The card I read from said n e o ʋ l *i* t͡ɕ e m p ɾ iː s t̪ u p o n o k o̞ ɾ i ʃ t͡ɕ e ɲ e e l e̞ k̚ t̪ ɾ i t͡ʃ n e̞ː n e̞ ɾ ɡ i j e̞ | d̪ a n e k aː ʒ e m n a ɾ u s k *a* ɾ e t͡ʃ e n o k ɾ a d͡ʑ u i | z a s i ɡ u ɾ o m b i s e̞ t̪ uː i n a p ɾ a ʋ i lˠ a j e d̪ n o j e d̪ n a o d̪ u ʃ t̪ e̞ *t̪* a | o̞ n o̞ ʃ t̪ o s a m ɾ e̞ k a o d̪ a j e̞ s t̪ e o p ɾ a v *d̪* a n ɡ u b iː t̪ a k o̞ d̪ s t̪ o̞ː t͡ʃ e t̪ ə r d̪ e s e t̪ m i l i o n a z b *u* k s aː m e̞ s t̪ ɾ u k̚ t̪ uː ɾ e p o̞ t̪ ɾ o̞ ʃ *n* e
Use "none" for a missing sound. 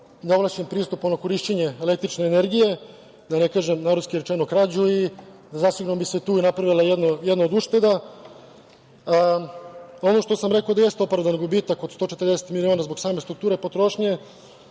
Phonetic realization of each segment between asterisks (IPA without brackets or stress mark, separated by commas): a, i, d̪, d̪, o, ɲ